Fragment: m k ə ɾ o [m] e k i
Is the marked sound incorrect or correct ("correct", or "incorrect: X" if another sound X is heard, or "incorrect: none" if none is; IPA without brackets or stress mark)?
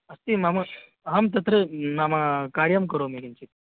correct